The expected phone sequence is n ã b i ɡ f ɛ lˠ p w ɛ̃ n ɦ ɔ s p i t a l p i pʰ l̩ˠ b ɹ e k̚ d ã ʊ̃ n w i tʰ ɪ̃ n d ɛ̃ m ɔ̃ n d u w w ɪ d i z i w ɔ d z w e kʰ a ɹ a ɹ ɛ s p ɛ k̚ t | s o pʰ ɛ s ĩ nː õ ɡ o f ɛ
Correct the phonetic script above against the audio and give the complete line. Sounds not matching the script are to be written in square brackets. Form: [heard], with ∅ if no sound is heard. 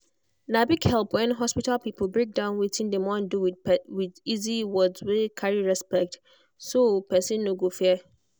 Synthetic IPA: n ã b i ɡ [h] ɛ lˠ p w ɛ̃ n ɦ ɔ s p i t a l p i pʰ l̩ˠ b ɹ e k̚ d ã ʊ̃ n w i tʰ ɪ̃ n d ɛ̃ m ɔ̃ n d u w w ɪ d i z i w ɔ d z w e kʰ a ɹ [i] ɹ ɛ s p ɛ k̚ t | s o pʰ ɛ s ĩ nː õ ɡ o f ɛ